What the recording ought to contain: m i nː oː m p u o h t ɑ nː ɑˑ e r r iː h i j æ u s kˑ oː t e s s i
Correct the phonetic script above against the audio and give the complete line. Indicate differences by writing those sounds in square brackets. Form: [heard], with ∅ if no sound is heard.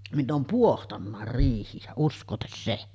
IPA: m i nː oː m p u o h t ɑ nː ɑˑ e r r iː h i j æ u s kˑ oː t e s s [e]